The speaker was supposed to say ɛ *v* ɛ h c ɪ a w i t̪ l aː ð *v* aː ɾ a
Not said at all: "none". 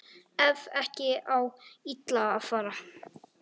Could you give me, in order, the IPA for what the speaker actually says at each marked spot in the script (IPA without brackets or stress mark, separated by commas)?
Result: v, f